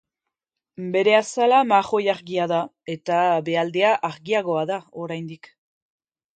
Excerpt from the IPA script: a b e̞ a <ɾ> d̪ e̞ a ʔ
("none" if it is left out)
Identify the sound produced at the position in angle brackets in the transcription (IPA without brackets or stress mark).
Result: l